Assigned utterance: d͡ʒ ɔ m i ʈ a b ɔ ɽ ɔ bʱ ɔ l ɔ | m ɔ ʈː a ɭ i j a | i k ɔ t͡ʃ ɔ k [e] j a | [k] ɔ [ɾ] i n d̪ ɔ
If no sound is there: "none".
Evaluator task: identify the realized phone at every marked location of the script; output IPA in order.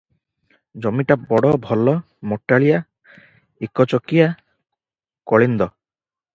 i, k, ɭ

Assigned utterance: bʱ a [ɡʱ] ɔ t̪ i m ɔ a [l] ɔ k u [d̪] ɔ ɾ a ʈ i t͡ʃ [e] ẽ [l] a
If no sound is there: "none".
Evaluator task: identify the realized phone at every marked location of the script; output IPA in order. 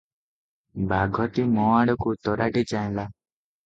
ɡʱ, ɽ, t̪, a, l

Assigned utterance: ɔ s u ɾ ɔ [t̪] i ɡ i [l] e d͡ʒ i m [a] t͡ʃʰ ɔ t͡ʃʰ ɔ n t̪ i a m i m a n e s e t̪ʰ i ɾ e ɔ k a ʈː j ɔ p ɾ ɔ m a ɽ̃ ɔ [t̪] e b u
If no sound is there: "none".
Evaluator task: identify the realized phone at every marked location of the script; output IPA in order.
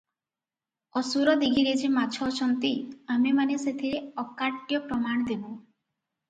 d̪, ɾ, a, d̪

